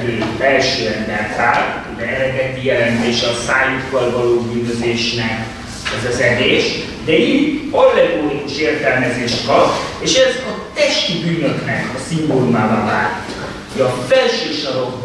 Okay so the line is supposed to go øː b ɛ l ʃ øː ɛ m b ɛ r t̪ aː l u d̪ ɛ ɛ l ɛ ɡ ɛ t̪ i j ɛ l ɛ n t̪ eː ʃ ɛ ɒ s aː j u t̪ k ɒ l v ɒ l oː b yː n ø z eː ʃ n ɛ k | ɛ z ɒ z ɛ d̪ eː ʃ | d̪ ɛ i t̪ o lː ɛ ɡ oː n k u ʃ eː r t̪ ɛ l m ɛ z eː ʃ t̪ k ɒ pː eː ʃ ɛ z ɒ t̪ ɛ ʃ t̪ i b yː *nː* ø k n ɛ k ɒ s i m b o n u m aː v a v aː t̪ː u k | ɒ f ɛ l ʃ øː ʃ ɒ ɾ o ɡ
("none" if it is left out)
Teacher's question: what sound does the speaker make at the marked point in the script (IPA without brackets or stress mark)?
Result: n